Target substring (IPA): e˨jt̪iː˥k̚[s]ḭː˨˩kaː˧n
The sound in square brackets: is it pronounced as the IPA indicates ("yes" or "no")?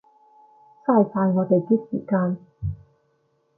yes